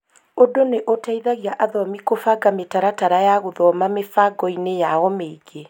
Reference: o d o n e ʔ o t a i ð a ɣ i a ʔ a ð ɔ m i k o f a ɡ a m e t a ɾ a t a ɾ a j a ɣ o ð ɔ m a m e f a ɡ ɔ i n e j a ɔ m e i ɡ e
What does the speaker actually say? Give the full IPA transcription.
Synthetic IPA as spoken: o d o n e ʔ o t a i ð a ɣ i a ʔ a ð ɔ m i k o f a ɡ a m e t a ɾ a t a ɾ a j a ɣ o ð ɔ m a m e f a ɡ ɔ i n e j a ɔ m e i ɡ e